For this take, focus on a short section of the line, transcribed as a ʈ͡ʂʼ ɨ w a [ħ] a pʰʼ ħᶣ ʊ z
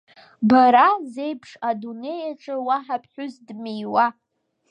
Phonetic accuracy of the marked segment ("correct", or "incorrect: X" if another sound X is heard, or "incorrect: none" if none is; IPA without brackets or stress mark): correct